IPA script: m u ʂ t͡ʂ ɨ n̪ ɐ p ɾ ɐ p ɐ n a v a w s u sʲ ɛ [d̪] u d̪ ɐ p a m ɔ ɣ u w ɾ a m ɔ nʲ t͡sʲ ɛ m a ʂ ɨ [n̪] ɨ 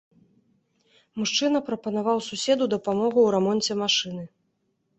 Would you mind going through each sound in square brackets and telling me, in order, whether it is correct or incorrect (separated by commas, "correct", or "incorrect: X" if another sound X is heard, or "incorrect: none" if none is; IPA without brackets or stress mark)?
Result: correct, correct